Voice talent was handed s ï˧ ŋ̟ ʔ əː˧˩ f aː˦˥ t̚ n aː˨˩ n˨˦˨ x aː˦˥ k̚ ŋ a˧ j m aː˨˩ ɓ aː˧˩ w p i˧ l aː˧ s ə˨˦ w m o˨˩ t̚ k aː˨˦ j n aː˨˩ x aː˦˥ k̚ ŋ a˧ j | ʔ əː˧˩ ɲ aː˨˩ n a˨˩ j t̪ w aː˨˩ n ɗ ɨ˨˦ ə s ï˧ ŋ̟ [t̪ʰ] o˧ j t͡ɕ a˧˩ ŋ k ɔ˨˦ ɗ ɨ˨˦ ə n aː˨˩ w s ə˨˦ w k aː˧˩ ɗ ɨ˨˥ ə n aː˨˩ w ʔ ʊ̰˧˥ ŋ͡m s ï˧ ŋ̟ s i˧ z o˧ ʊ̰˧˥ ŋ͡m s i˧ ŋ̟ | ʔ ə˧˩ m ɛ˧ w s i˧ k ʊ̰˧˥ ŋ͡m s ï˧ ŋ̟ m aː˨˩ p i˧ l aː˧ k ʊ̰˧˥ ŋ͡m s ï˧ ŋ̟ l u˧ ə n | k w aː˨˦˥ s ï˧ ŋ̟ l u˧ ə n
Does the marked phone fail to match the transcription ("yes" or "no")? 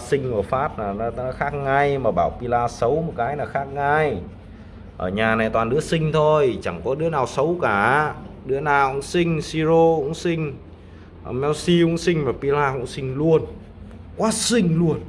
no